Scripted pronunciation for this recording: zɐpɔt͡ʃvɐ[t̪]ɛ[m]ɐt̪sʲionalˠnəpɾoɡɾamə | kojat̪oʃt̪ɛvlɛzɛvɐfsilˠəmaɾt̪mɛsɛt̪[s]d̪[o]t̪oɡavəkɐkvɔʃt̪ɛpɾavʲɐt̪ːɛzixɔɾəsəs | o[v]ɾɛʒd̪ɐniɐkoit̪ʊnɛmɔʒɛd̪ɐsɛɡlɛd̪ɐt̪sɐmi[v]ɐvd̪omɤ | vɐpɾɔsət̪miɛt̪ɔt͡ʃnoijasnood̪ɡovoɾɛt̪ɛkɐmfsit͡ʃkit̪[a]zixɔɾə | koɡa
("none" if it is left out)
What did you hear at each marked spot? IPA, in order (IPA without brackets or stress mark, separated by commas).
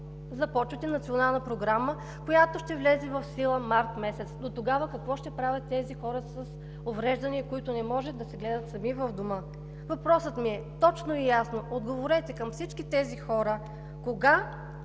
t̪, n, s, o, v, v, ɛ